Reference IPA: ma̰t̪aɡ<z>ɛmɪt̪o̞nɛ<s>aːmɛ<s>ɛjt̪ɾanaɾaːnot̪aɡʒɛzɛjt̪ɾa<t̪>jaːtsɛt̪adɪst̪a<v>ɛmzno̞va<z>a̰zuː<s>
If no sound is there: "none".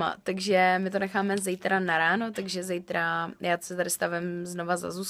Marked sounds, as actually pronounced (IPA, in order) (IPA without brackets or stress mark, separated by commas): ʒ, x, z, none, v, z, s